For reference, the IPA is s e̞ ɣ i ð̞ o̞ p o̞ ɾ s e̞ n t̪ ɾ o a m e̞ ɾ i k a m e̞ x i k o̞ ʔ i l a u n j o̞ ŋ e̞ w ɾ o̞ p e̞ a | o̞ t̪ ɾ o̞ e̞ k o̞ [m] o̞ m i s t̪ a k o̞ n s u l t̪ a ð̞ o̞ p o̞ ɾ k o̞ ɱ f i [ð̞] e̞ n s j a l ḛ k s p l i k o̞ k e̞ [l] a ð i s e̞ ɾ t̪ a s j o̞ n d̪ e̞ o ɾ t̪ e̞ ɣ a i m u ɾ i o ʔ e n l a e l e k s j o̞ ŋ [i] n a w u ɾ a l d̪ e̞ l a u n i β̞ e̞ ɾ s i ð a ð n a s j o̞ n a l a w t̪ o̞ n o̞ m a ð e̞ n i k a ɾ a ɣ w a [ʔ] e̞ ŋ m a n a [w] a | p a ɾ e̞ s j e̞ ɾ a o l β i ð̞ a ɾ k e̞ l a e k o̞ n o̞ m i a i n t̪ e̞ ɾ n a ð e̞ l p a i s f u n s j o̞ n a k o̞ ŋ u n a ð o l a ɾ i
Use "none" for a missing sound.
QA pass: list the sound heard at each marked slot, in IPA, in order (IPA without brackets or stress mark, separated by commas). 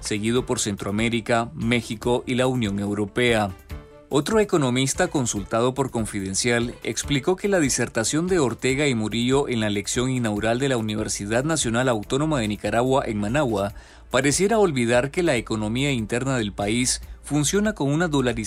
n, ð̞, l, i, ʔ, w